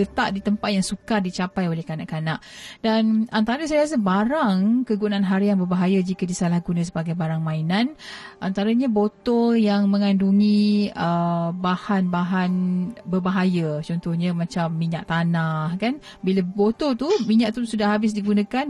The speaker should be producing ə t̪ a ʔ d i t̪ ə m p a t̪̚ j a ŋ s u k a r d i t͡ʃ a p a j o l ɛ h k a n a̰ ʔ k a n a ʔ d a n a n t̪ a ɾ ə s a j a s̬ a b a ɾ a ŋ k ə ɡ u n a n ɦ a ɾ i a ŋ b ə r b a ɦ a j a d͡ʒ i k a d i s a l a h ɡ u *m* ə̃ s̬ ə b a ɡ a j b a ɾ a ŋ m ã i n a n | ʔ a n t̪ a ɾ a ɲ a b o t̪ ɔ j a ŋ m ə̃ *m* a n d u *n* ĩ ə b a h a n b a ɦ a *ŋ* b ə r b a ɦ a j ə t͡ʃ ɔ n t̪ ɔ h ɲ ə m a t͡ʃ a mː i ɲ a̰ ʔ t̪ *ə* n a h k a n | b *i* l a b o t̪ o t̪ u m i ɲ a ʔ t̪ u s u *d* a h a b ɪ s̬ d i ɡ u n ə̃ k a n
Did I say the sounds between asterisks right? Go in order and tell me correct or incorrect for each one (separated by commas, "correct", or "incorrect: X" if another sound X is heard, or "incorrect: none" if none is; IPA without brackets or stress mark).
incorrect: n, incorrect: ŋ, incorrect: ŋ, incorrect: n, incorrect: a, correct, correct